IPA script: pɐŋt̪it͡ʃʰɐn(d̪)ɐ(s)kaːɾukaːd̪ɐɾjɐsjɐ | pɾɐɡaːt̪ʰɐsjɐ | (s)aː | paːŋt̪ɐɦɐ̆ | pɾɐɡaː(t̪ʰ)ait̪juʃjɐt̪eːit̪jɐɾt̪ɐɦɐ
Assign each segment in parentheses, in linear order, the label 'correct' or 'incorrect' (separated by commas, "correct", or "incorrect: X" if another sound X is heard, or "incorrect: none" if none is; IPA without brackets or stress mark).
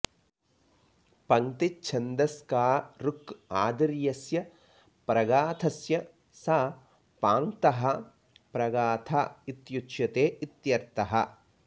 correct, correct, correct, correct